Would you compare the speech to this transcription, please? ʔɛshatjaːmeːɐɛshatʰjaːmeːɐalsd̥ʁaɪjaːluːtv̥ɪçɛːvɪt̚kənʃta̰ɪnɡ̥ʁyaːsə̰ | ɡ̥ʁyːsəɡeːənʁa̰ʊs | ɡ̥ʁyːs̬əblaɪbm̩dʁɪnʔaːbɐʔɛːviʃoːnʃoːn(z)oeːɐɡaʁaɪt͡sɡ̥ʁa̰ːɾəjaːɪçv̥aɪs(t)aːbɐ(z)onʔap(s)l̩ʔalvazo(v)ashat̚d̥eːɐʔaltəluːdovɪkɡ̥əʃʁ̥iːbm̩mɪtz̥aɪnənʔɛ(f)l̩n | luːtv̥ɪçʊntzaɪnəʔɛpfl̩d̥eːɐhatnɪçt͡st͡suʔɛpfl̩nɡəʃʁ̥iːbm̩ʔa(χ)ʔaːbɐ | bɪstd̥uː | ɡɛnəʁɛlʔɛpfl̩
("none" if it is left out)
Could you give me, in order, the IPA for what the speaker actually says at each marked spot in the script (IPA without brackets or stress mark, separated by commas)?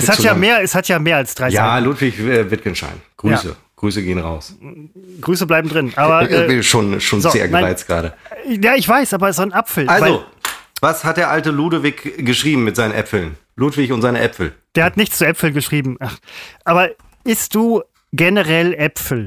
z, ʔ, z, f, v, f, χ